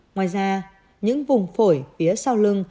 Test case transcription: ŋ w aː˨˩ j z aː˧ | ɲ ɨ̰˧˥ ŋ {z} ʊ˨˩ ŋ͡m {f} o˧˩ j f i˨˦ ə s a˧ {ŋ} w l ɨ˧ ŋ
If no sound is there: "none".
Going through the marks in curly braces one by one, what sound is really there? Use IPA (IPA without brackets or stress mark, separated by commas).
v, f, none